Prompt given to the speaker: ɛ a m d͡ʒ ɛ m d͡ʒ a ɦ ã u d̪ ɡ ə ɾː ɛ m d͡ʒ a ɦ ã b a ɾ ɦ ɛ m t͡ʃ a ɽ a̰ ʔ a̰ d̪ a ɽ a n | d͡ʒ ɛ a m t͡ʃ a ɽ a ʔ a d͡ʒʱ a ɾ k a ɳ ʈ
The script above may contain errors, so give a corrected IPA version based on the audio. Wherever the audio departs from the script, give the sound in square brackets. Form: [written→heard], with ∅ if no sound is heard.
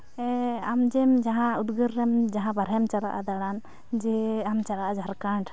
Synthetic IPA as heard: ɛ a m d͡ʒ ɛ m d͡ʒ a ɦ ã u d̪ ɡ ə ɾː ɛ m d͡ʒ a ɦ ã b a ɾ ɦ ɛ m t͡ʃ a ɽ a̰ ʔ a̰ d̪ a ɽ a n | d͡ʒ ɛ a m t͡ʃ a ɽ a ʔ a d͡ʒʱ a ɾ k a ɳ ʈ